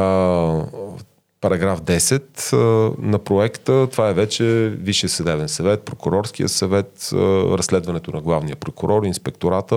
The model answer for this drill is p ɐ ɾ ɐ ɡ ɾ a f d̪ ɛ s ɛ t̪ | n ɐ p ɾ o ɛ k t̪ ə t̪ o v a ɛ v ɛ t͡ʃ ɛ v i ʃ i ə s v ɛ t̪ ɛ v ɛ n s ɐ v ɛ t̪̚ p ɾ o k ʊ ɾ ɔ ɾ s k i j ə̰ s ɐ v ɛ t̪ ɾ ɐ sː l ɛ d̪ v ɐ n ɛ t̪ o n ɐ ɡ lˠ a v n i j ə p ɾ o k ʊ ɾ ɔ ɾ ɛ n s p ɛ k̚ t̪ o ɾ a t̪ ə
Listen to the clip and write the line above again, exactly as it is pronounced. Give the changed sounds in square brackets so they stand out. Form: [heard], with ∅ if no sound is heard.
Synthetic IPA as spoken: p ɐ ɾ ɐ ɡ ɾ a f d̪ ɛ s ɛ t̪ | n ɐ p ɾ o ɛ k t̪ ə t̪ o v a ɛ v ɛ t͡ʃ ɛ v i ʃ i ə s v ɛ [d̪] ɛ v ɛ n s ɐ v ɛ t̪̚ p ɾ o k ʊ ɾ ɔ ɾ s k i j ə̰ s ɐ v ɛ t̪ ɾ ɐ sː l ɛ d̪ v ɐ n ɛ t̪ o n ɐ ɡ lˠ a v n i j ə p ɾ o k ʊ ɾ ɔ ɾ [i] n s p ɛ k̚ t̪ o ɾ a t̪ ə